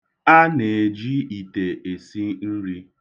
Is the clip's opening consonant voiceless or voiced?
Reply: voiced